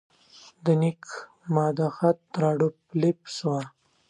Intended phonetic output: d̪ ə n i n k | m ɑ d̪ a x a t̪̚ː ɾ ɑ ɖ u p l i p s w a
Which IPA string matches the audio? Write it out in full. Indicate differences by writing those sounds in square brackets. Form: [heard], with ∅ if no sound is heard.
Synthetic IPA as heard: d̪ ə n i [∅] k | m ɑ d̪ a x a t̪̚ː ɾ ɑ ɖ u p l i p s w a